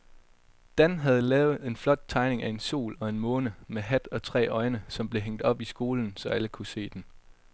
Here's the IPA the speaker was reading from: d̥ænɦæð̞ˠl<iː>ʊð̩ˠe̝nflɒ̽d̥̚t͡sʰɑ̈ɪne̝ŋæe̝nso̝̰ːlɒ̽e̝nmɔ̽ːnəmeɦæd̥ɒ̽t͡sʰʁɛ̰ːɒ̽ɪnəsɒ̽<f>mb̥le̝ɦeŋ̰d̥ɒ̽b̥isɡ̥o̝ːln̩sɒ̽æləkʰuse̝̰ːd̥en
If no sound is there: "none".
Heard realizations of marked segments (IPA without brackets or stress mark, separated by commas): ɛː, none